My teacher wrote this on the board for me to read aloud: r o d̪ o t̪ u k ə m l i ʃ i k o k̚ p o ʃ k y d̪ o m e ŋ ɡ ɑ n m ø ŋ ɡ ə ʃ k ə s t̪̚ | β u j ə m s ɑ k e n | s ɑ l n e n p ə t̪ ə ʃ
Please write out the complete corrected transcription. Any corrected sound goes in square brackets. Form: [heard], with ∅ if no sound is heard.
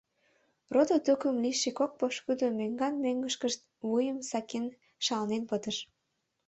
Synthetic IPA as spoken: r o d̪ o t̪ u k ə m l i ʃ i k o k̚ p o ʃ k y d̪ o m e ŋ ɡ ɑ n m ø ŋ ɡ ə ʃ k ə [ʃ] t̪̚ | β u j ə m s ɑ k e n | [ʃ] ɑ l n e n p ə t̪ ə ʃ